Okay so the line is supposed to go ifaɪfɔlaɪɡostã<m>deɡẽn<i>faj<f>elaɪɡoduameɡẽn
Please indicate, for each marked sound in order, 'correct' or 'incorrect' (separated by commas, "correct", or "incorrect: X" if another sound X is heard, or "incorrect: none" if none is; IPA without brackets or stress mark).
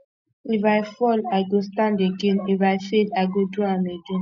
incorrect: n, correct, correct